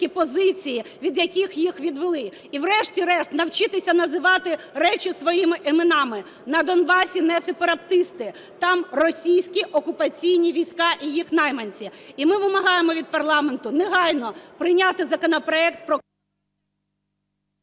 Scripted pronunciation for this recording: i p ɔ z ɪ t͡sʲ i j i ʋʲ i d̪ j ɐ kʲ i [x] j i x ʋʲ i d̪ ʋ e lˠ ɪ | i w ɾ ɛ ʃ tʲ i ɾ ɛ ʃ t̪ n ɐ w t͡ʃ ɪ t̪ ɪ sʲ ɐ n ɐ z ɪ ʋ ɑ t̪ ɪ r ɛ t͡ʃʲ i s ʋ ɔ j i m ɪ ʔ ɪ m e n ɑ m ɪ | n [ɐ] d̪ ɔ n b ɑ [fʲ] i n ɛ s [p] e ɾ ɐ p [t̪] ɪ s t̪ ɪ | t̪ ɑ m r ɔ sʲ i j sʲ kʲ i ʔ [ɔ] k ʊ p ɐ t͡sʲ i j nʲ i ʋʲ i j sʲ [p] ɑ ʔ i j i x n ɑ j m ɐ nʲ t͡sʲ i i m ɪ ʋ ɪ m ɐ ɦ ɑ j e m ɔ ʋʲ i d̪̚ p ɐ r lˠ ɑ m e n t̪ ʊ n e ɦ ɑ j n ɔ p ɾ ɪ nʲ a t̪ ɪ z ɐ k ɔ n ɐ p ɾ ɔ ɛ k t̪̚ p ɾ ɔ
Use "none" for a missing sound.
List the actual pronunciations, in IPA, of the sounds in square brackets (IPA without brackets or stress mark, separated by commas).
x, ɐ, sʲ, p, t̪, ɔ, k